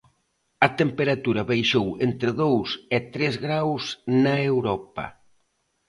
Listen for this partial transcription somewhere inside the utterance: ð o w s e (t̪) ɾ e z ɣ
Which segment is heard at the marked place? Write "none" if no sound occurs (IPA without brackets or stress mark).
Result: t̪